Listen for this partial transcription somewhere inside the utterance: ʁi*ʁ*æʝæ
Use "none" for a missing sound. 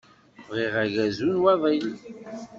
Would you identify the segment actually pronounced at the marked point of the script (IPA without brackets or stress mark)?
ʁ